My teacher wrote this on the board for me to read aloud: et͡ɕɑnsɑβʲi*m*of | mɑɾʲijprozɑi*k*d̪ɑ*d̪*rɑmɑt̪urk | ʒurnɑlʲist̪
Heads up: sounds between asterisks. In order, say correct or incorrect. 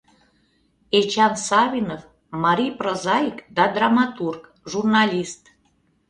incorrect: n, correct, correct

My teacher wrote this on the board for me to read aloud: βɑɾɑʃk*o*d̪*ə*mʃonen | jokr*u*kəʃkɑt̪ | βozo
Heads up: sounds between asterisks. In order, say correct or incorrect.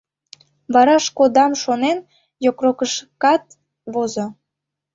correct, incorrect: ɑ, incorrect: o

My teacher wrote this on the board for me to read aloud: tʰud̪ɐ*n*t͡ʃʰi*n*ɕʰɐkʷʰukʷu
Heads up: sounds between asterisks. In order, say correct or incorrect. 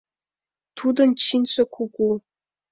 correct, correct

